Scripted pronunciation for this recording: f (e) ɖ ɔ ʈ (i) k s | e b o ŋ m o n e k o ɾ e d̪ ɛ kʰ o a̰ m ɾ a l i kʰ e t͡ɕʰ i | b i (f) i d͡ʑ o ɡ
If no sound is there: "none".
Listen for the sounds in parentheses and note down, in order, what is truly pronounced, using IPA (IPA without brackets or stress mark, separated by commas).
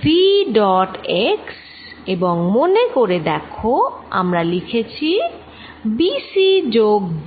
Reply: i, e, s